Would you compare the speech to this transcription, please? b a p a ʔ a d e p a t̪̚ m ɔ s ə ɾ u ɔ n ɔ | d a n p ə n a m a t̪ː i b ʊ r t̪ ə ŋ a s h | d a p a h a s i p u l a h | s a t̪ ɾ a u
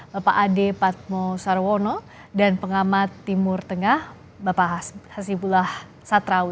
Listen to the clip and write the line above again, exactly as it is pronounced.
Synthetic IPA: b a p a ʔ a d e p a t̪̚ m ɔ s a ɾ w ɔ n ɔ | d a n p ə ŋ a m a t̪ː i m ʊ r t̪ ə ŋ a h | b a p a h a s i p u l a h | s a t̪ ɾ a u